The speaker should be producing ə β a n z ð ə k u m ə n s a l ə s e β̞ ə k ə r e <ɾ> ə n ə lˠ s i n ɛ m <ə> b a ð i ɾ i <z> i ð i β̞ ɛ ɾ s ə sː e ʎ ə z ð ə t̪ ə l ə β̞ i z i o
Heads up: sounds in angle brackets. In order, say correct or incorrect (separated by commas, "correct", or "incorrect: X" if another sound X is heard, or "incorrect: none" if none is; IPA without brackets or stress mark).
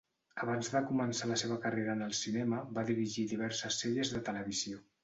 correct, correct, incorrect: ʒ